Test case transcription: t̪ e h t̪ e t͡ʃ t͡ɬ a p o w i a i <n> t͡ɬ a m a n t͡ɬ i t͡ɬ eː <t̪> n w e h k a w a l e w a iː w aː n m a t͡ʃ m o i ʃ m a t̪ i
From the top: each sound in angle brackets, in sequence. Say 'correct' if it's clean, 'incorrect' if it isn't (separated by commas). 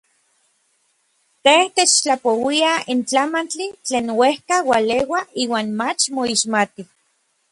correct, incorrect